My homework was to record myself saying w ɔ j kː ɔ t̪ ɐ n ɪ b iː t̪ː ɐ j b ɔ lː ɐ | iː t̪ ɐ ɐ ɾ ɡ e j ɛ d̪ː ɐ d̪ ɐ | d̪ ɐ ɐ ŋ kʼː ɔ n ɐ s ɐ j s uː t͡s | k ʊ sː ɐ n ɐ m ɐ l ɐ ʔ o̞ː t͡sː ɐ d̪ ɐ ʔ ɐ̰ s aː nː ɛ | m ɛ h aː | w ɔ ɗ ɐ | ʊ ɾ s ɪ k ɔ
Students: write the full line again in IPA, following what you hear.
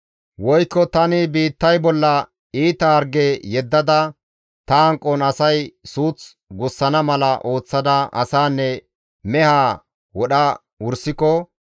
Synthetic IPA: w ɔ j kː ɔ t̪ ɐ n ɪ b iː t̪ː ɐ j b ɔ lː ɐ | iː t̪ ɐ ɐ ɾ ɡ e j ɛ d̪ː ɐ d̪ ɐ | t̪ ɐ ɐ ŋ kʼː ɔ n ɐ s ɐ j s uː t͡s | ɡ ʊ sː ɐ n ɐ m ɐ l ɐ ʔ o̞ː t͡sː ɐ d̪ ɐ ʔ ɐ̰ s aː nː ɛ | m ɛ h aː | w ɔ ɗ ɐ | ʊ ɾ s ɪ k ɔ

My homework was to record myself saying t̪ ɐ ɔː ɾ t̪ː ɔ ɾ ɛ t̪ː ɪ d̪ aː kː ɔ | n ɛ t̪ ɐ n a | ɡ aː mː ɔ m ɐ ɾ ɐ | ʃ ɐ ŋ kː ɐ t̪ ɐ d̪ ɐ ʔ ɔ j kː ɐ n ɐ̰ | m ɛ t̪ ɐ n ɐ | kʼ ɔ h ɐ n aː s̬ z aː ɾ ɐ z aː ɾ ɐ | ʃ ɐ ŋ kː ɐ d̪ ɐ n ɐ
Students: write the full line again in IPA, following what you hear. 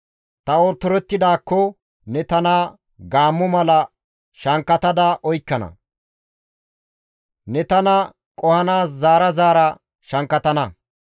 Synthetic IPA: t̪ ɐ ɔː ɾ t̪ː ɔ ɾ ɛ t̪ː ɪ d̪ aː kː ɔ | n ɛ t̪ ɐ n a | ɡ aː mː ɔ m ɐ l ɐ | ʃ ɐ ŋ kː ɐ t̪ ɐ d̪ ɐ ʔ ɔ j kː ɐ n ɐ̰ | n ɛ t̪ ɐ n ɐ | kʼ ɔ h ɐ n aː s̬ z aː ɾ ɐ z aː ɾ ɐ | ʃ ɐ ŋ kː ɐ t̪ ɐ n ɐ

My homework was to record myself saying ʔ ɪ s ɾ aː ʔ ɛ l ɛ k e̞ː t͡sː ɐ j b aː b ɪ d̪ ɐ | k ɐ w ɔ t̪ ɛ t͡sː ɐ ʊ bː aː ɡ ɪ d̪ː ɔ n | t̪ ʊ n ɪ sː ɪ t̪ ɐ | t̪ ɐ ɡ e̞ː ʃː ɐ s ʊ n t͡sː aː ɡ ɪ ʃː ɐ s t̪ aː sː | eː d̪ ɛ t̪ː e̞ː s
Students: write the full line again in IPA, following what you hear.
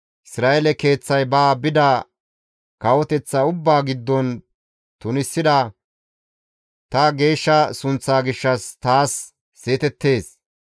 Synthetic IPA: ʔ ɪ s ɾ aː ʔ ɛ l ɛ k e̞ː t͡sː ɐ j b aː b ɪ d̪ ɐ | k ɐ w ɔ t̪ ɛ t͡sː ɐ ʊ bː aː ɡ ɪ d̪ː ɔ n | t̪ ʊ n ɪ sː ɪ d̪ ɐ | t̪ ɐ ɡ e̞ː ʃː ɐ s ʊ n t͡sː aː ɡ ɪ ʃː ɐ s t̪ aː sː | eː t̪ ɛ t̪ː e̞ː s

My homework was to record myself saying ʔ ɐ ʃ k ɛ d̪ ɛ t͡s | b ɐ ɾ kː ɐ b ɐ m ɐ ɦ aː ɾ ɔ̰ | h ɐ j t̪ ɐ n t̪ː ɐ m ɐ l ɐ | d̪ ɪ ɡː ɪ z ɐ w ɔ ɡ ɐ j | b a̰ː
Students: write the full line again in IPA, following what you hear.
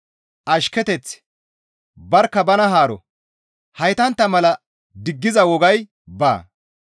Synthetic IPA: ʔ ɐ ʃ k ɛ t̪ ɛ t͡s | b ɐ ɾ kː ɐ b ɐ n ɐ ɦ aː ɾ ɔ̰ | h ɐ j t̪ ɐ n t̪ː ɐ m ɐ l ɐ | d̪ ɪ ɡː ɪ z ɐ w ɔ ɡ ɐ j | b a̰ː

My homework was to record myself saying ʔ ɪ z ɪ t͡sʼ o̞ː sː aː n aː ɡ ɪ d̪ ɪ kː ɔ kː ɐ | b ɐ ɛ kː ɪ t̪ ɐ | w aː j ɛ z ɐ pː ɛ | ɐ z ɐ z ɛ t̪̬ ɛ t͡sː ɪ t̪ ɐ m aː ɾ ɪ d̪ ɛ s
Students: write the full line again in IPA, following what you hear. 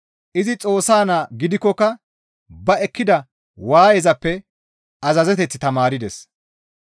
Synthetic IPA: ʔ ɪ z ɪ t͡sʼ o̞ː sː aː n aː ɡ ɪ d̪ ɪ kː ɔ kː ɐ | b ɐ ɛ kː ɪ d̪ ɐ | w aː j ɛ z ɐ pː ɛ | ɐ z ɐ z ɛ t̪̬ ɛ t͡sː ɪ t̪ ɐ m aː ɾ ɪ d̪ ɛ s

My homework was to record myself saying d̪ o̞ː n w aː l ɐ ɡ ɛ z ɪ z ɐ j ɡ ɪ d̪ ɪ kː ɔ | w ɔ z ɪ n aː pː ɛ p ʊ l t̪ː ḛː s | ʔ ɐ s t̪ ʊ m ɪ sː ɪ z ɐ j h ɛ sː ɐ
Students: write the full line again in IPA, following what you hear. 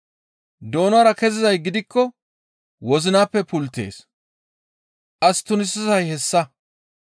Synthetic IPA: d̪ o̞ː n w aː ɾ ɐ k ɛ z ɪ z ɐ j ɡ ɪ d̪ ɪ kː ɔ | w ɔ z ɪ n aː pː ɛ p ʊ l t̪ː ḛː s | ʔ ɐ s t̪ ʊ n ɪ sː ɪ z ɐ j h ɛ sː ɐ

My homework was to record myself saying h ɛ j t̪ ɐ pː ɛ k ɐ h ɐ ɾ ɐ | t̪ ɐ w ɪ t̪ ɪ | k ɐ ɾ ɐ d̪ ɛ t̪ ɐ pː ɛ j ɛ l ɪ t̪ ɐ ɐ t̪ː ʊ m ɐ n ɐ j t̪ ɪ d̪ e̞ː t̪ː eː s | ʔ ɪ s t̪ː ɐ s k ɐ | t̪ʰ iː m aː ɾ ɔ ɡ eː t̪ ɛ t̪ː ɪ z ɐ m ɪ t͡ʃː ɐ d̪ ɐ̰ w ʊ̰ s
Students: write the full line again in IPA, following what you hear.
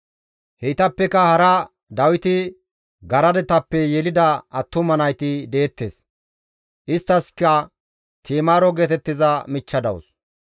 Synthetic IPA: h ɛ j t̪ ɐ pː ɛ k ɐ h ɐ ɾ ɐ | d̪ ɐ w ɪ t̪ ɪ | ɡ ɐ ɾ ɐ d̪ ɛ t̪ ɐ pː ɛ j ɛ l ɪ d̪ ɐ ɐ t̪ː ʊ m ɐ n ɐ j t̪ ɪ d̪ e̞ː t̪ː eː s | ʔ ɪ s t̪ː ɐ s k ɐ | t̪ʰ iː m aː ɾ ɔ ɡ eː t̪ ɛ t̪ː ɪ z ɐ m ɪ t͡ʃː ɐ d̪ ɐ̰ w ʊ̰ s

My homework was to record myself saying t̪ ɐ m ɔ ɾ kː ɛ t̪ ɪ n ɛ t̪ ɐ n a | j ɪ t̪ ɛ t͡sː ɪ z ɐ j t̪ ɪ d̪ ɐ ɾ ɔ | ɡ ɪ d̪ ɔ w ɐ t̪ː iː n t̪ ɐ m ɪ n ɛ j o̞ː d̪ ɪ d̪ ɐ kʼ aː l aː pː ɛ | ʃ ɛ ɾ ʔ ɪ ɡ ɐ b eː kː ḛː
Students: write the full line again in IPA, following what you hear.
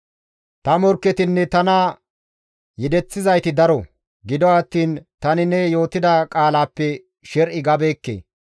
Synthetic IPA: t̪ ɐ m ɔ ɾ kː ɛ t̪ ɪ nː ɛ t̪ ɐ n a | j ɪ d̪ ɛ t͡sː ɪ z ɐ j t̪ ɪ d̪ ɐ ɾ ɔ | ɡ ɪ d̪ ɔ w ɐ t̪ː iː n t̪ ɐ n ɪ n ɛ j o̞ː t̪ ɪ d̪ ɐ kʼ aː l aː pː ɛ | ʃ ɛ ɾ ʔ ɪ ɡ ɐ b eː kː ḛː

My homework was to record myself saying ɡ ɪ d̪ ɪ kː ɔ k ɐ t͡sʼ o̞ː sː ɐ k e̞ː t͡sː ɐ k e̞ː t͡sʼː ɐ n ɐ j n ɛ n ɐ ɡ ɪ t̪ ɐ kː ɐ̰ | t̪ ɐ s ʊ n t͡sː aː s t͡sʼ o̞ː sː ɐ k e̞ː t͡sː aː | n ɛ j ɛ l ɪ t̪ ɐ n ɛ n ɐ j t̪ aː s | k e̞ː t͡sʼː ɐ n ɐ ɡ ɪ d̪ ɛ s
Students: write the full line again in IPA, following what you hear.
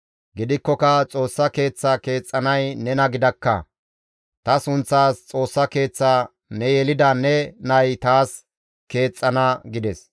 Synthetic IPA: ɡ ɪ d̪ ɪ kː ɔ k ɐ t͡sʼ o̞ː sː ɐ k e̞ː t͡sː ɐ k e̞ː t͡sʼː ɐ n ɐ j n ɛ n ɐ ɡ ɪ d̪ ɐ kː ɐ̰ | t̪ ɐ s ʊ n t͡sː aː s t͡sʼ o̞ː sː ɐ k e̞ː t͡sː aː | n ɛ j ɛ l ɪ d̪ ɐ n ɛ n ɐ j t̪ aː s | k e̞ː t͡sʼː ɐ n ɐ ɡ ɪ d̪ ɛ s

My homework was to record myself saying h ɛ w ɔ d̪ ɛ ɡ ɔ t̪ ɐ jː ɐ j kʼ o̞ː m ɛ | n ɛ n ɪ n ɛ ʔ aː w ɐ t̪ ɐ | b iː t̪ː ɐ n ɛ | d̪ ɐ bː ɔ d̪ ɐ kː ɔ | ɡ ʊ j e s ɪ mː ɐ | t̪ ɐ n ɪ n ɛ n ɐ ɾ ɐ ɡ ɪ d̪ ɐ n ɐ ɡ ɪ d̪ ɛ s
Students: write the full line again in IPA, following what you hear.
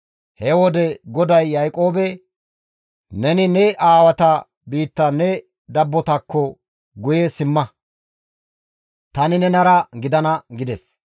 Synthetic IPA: h ɛ w ɔ d̪ ɛ ɡ ɔ d̪ ɐ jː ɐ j kʼ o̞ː b ɛ | n ɛ n ɪ n ɛ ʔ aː w ɐ t̪ ɐ | b iː t̪ː ɐ n ɛ | d̪ ɐ bː ɔ t̪ ɐ kː ɔ | ɡ ʊ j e s ɪ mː ɐ | t̪ ɐ n ɪ n ɛ n ɐ ɾ ɐ ɡ ɪ d̪ ɐ n ɐ ɡ ɪ d̪ ɛ s

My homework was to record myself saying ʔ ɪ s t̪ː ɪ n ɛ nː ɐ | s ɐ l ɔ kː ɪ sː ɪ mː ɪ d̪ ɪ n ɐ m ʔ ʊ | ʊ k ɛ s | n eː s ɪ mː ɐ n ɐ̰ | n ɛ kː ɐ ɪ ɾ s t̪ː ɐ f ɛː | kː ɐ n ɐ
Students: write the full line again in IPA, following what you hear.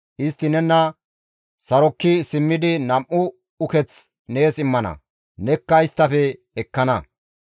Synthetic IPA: ʔ ɪ s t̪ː ɪ n ɛ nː ɐ | s ɐ ɾ ɔ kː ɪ s ɪ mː ɪ d̪ ɪ n ɐ m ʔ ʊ | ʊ k ɛ t͡s | n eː s ɪ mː ɐ n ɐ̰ | n ɛ kː ɐ ɪ s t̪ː ɐ f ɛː | kː ɐ n ɐ

